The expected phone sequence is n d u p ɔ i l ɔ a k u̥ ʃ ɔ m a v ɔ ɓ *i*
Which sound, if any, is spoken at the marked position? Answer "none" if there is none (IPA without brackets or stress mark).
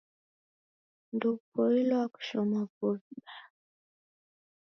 a